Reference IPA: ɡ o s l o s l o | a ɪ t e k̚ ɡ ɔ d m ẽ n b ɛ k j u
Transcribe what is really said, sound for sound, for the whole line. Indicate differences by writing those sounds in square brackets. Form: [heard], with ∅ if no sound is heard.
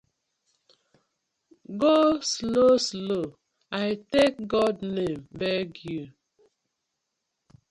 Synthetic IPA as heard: ɡ o s l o s l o | a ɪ t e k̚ ɡ ɔ d [n] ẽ [m] b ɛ [ɡ] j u